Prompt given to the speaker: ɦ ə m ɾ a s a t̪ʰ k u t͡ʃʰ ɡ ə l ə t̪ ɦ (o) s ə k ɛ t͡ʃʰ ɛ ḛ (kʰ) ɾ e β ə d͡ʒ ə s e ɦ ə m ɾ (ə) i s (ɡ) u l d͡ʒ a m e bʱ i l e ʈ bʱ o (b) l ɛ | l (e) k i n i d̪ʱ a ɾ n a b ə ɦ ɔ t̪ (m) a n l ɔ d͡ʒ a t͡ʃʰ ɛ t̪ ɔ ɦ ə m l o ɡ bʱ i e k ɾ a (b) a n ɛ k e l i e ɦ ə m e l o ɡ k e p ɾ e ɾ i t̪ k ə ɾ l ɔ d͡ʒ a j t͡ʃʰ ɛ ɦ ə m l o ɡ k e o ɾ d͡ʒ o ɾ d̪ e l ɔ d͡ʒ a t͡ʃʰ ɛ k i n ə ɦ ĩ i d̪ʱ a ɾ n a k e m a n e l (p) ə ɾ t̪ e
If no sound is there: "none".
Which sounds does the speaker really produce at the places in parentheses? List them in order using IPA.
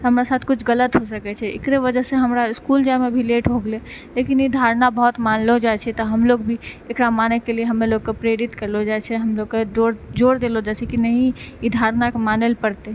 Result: o, k, a, k, ɡ, e, m, m, p

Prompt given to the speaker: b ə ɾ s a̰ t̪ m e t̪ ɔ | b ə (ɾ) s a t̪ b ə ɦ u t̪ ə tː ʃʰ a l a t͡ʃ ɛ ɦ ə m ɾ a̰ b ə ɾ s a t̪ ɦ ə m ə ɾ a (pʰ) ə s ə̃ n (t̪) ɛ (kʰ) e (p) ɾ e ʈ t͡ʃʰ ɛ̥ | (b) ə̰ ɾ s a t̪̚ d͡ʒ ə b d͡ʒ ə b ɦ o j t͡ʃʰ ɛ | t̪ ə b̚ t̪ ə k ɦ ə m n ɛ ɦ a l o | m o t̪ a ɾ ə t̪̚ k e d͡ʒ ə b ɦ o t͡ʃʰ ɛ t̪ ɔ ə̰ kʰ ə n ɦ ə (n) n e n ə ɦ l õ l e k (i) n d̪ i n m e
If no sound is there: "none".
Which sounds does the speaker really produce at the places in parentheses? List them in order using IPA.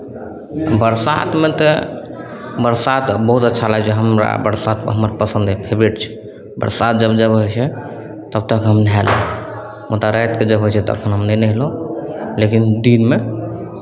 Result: ɾ, p, d̪, pʰ, b, b, m, i

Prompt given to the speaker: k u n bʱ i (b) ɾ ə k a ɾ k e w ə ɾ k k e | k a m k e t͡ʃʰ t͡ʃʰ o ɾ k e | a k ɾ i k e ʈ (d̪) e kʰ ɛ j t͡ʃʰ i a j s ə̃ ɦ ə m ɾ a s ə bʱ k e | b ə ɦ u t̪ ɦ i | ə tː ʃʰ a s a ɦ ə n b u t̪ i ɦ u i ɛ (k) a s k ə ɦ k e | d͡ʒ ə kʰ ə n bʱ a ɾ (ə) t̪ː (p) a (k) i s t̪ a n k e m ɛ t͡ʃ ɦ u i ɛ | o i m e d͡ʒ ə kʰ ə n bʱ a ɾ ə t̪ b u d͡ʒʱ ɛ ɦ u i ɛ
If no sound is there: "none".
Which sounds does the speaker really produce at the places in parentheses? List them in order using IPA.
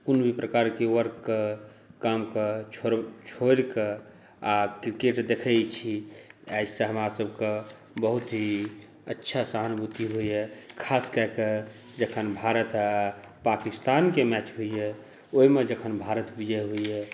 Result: p, d̪, kʰ, ə, p, k

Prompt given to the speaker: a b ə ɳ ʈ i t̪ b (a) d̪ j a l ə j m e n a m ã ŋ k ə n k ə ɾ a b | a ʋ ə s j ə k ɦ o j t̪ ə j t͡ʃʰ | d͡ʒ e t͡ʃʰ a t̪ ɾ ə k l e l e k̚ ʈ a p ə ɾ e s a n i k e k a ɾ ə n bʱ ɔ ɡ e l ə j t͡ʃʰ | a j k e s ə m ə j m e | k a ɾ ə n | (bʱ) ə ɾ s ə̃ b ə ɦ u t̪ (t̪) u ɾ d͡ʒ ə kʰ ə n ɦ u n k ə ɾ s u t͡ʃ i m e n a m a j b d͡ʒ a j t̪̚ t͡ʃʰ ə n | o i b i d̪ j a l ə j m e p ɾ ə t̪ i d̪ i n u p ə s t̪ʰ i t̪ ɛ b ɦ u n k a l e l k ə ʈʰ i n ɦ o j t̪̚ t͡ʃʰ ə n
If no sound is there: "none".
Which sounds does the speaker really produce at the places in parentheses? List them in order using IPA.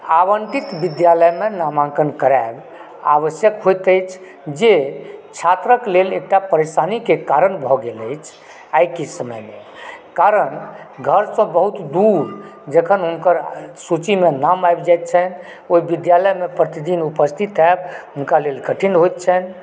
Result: i, ɡʱ, d̪

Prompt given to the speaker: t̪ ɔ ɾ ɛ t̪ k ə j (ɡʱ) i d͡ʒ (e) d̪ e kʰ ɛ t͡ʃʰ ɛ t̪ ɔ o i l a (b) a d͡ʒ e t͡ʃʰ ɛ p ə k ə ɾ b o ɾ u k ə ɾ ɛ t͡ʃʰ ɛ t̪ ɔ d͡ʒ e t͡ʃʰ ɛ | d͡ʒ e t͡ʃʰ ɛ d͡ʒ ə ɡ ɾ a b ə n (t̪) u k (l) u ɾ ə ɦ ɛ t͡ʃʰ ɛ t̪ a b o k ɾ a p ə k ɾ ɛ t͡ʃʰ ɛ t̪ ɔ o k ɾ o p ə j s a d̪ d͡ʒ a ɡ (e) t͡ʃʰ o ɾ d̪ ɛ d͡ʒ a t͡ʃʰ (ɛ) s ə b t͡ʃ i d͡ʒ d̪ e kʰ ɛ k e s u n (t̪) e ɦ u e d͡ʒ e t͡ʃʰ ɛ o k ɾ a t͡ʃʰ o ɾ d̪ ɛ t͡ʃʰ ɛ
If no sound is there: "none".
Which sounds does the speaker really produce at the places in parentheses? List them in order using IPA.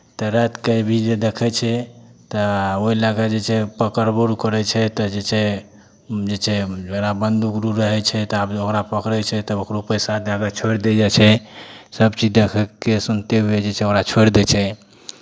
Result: bʱ, e, ɡ, d̪, ɾ, a, ɛ, t̪

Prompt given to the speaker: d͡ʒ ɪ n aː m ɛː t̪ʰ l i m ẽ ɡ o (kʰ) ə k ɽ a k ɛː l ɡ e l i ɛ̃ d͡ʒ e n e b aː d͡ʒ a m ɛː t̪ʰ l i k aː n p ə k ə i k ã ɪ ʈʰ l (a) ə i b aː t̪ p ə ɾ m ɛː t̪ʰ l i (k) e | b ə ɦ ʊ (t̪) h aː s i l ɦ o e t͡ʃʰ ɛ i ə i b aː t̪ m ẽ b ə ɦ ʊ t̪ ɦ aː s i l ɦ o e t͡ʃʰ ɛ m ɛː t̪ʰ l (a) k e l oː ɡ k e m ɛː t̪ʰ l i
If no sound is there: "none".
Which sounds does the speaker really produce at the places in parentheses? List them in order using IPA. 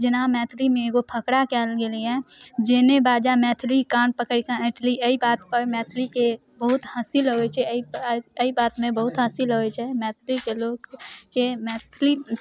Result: pʰ, i, k, t̪, i

